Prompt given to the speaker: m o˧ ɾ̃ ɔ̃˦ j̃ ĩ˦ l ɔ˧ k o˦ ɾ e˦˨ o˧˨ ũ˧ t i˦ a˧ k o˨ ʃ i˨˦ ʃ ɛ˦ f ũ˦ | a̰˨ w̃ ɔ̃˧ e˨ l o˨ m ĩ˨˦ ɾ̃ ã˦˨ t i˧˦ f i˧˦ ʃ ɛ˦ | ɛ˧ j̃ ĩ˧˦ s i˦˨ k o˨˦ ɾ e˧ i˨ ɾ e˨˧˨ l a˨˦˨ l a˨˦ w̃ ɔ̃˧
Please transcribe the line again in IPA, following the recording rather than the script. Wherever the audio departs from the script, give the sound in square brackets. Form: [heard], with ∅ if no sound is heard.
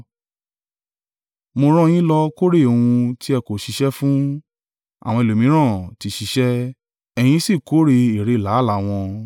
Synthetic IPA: m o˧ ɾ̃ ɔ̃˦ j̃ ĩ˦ l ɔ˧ k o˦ ɾ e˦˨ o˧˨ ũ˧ t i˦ [ɛ˧] k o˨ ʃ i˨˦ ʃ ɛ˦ f ũ˦ | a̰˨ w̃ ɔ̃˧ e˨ l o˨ m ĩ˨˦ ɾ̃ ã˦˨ t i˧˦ [ʃ] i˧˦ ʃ ɛ˦ | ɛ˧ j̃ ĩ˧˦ s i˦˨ k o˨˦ ɾ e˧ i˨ ɾ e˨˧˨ l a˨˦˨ l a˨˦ w̃ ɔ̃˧